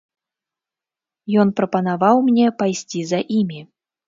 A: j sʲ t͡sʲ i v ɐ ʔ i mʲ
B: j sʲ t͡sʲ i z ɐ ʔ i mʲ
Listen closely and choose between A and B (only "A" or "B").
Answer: B